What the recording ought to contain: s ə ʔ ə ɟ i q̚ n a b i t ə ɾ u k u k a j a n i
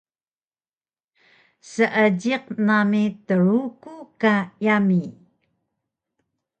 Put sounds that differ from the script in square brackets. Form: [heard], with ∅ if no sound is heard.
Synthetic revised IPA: s ə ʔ ə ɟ i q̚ n a [m] i t ə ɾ u k u k a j a [m] i